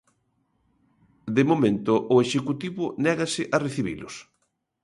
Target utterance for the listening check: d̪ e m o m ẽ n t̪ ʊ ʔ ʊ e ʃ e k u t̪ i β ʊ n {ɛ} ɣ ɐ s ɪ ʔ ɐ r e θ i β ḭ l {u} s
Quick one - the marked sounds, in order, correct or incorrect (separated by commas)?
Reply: correct, incorrect